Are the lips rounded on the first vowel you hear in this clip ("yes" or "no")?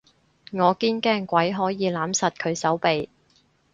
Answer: yes